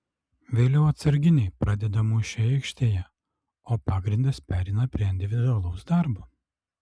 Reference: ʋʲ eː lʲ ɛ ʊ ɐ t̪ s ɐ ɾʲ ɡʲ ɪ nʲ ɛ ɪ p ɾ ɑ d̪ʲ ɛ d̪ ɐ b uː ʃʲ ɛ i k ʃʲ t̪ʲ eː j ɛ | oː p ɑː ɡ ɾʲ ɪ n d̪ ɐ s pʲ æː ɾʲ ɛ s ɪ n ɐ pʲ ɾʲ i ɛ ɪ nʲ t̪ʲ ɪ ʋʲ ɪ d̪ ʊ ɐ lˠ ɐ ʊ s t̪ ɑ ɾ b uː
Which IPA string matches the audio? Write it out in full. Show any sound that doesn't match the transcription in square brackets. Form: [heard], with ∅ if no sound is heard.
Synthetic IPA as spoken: ʋʲ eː lʲ ɛ ʊ ɐ t̪ s ɐ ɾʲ ɡʲ ɪ nʲ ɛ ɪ p ɾ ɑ d̪ʲ ɛ d̪ ɐ [m] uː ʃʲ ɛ [ɪ] k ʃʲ t̪ʲ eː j ɛ | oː p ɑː ɡ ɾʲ ɪ n d̪ ɐ s pʲ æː ɾʲ ɛ [∅] ɪ n ɐ pʲ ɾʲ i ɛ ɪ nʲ [d̪ʲ] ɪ ʋʲ ɪ d̪ ʊ ɐ lˠ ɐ ʊ s [d̪] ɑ ɾ b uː